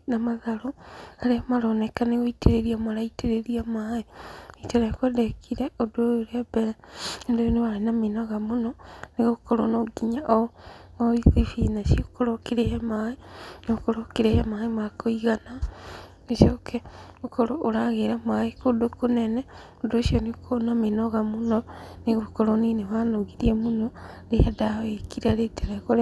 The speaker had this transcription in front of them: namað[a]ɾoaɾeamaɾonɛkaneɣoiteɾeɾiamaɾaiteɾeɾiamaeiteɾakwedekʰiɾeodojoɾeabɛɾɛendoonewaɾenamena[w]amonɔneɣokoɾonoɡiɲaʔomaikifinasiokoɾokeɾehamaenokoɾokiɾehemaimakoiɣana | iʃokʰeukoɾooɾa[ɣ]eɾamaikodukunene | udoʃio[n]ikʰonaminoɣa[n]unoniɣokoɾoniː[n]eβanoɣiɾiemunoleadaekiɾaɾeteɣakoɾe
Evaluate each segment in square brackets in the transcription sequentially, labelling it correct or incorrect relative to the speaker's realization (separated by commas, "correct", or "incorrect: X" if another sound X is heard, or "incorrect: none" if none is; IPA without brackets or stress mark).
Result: correct, incorrect: ɣ, correct, correct, incorrect: m, correct